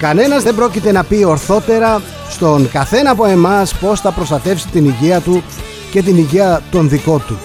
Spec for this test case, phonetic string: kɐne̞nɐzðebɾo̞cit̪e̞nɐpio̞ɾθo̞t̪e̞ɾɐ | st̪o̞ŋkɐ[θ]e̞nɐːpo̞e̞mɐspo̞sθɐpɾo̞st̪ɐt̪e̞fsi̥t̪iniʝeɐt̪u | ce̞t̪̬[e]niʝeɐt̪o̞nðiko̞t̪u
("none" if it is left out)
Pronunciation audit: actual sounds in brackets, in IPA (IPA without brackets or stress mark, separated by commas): θ, i